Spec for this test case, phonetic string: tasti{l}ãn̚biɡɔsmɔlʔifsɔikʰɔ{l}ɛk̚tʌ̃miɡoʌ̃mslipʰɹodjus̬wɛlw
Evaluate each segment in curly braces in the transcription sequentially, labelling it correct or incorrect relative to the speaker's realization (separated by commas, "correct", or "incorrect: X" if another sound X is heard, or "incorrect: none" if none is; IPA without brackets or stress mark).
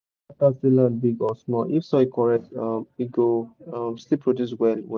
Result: correct, incorrect: ɹ